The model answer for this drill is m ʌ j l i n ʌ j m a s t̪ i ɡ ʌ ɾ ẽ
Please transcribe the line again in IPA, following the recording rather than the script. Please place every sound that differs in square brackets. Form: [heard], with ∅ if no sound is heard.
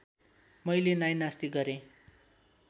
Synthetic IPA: m ʌ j l [e] n [a] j [n] a s t̪ i ɡ ʌ ɾ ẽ